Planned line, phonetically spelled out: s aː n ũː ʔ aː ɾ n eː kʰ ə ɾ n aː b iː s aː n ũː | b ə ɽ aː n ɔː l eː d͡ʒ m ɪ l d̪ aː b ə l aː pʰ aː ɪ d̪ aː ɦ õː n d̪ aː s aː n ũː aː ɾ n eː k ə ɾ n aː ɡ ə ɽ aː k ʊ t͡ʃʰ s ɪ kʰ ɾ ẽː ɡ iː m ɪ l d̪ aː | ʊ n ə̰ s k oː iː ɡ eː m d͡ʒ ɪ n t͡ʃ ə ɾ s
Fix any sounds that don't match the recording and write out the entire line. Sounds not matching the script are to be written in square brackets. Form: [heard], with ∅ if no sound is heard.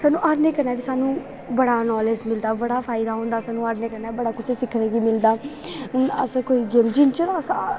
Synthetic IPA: s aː n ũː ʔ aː ɾ n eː [k] ə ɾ n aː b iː s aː n ũː | b ə ɽ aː n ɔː l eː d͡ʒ m ɪ l d̪ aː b ə [ɽ] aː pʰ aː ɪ d̪ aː ɦ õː n d̪ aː s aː n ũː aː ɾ n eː k ə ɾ n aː [b] ə ɽ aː k ʊ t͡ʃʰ s ɪ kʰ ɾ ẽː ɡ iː m ɪ l d̪ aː | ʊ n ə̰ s k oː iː ɡ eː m d͡ʒ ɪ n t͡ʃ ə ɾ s